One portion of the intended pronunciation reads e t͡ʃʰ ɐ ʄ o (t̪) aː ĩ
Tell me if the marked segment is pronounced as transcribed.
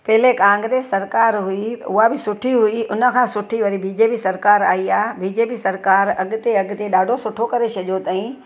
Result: yes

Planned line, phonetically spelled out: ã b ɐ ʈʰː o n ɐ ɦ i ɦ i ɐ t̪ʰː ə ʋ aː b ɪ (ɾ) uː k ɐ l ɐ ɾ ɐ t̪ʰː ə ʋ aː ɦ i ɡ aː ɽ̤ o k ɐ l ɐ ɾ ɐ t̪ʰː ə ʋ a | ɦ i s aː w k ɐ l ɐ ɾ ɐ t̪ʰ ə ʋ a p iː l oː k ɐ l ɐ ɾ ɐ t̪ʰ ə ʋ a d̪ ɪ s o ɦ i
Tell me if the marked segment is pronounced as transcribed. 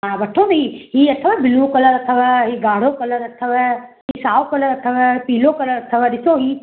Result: no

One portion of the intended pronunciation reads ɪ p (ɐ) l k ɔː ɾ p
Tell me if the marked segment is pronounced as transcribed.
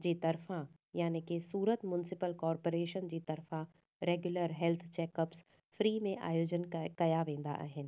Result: no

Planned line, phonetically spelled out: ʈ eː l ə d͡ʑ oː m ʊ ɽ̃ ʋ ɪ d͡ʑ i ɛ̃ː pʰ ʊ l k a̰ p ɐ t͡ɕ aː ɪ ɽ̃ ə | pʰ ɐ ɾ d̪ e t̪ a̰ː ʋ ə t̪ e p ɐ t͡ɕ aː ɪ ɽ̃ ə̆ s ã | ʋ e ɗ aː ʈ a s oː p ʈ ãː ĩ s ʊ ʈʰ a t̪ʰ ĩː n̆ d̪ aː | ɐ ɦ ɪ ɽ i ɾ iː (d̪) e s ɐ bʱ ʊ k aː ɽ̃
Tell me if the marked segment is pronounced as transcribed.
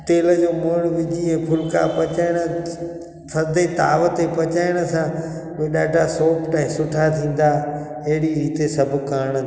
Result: no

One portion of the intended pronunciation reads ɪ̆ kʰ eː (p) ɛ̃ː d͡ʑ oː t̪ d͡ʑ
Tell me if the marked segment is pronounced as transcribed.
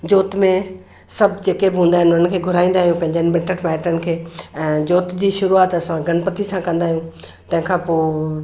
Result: no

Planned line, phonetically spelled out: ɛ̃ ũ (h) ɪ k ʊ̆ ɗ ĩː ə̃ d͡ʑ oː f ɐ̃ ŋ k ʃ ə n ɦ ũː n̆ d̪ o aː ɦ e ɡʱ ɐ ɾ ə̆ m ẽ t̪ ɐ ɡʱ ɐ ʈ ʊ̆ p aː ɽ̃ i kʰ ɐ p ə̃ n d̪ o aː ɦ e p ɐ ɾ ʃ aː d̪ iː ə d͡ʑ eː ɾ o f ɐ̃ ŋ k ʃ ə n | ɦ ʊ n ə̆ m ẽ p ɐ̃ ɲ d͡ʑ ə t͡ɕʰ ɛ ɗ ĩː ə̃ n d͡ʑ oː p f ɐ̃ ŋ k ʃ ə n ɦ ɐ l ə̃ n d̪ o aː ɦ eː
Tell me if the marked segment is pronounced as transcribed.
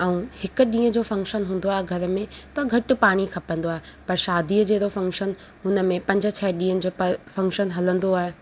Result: yes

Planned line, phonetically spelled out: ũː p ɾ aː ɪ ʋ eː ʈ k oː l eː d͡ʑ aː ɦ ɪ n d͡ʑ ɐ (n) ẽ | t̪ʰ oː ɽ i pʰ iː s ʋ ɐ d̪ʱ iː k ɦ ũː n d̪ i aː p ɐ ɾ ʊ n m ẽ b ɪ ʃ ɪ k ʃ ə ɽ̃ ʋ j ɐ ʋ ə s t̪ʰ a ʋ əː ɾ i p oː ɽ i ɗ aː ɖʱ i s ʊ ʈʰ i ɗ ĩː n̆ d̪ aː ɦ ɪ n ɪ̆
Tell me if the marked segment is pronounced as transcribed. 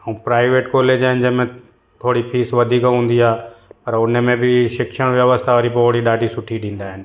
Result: no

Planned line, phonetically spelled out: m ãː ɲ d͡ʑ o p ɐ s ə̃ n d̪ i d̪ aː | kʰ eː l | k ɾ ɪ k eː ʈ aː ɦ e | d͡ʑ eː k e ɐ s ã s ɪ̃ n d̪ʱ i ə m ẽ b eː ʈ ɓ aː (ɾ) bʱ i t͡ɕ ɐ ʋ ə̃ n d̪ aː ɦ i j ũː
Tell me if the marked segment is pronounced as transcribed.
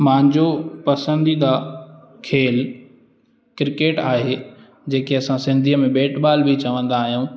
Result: no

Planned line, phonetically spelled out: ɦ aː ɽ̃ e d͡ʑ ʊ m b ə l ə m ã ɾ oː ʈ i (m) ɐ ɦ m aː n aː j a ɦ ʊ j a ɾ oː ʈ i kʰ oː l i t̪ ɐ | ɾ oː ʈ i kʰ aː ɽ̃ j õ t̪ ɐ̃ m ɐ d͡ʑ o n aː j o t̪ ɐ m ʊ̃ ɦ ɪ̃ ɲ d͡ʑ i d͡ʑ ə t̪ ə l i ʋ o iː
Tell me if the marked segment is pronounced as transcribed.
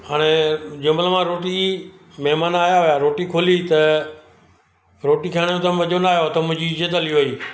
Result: yes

